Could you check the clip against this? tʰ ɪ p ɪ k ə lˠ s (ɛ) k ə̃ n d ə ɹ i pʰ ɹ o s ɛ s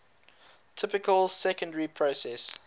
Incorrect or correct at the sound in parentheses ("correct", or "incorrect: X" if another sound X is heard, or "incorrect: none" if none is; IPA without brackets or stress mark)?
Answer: correct